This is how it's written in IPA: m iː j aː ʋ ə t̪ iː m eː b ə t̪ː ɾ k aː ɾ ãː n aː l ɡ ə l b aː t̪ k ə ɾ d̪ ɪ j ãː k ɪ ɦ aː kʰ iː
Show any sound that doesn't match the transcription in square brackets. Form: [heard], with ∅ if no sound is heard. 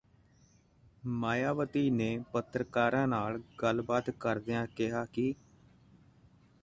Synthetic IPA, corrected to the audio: m [aː] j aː ʋ ə t̪ iː [n] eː [p] ə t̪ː ɾ k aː ɾ ãː n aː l ɡ ə l b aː t̪ k ə ɾ d̪ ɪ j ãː k ɪ ɦ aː [k] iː